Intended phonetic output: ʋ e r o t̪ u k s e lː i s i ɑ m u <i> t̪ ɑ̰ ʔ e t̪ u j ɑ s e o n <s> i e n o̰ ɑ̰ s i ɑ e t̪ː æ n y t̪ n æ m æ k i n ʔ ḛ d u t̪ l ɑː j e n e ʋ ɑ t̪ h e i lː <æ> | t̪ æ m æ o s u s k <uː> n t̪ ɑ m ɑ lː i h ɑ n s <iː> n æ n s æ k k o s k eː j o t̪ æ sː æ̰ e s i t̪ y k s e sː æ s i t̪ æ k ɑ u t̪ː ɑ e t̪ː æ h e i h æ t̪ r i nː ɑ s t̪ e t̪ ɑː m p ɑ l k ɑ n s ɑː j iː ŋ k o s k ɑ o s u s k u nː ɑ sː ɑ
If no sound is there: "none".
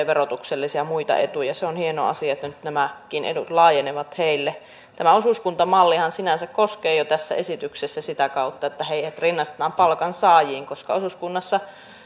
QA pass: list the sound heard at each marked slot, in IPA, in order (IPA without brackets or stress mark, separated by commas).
i, h, e, u, i